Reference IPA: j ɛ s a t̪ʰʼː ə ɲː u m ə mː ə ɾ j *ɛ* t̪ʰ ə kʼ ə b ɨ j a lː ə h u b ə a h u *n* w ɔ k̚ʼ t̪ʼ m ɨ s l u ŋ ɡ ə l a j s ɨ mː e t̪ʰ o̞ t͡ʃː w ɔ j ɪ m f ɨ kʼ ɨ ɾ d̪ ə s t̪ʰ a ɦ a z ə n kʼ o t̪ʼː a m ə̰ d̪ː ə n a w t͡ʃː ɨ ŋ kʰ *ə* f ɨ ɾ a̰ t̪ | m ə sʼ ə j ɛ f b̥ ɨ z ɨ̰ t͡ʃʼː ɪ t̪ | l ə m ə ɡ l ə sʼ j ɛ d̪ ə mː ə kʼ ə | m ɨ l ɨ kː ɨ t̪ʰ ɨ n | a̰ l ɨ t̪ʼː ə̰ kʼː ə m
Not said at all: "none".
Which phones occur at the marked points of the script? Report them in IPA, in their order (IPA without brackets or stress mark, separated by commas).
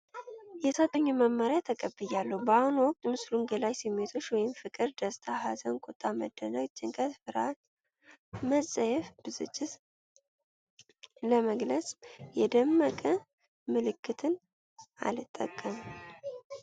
a, n, ə